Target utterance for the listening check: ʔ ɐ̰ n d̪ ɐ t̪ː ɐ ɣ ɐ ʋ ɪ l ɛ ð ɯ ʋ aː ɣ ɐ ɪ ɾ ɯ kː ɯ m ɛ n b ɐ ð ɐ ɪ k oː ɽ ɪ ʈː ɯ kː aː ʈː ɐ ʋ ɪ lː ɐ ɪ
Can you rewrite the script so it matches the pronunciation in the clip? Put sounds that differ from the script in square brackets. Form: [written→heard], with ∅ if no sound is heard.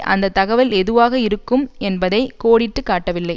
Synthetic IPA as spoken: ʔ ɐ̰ n d̪ ɐ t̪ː ɐ ɣ ɐ ʋ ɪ l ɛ ð ɯ ʋ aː ɣ ɐ ɪ ɾ ɯ kː ɯ m ɛ n b ɐ ð ɐ ɪ k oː ɽ ɪ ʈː ɯ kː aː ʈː ɐ ʋ ɪ lː ɐ ɪ

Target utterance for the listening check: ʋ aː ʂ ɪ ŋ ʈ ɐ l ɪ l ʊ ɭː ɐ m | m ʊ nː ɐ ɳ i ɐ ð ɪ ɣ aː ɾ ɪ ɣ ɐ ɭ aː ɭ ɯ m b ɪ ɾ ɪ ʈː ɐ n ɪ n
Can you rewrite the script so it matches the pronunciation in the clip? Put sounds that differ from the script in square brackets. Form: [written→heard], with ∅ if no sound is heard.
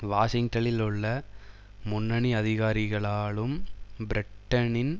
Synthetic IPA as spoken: ʋ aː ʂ ɪ ŋ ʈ ɐ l ɪ l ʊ ɭː ɐ [m→∅] | m ʊ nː ɐ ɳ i ɐ ð ɪ ɣ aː ɾ ɪ ɣ ɐ ɭ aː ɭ ɯ m b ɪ ɾ ɪ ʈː ɐ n ɪ n

